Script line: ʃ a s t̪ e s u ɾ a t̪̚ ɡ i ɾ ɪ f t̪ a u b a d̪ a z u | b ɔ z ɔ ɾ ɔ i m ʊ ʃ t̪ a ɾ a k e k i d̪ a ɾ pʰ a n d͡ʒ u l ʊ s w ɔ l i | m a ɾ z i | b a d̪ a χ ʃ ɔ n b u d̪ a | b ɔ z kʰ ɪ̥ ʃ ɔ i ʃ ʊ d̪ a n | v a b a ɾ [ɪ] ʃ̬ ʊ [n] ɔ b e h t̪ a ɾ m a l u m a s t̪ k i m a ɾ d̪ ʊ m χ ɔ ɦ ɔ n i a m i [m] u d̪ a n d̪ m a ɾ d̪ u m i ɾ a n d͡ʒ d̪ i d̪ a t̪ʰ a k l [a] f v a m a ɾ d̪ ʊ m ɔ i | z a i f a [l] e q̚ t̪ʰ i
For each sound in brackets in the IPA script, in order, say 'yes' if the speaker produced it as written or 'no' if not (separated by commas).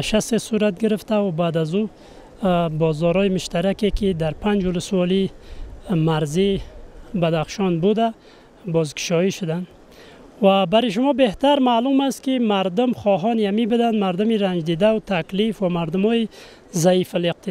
no, no, no, no, yes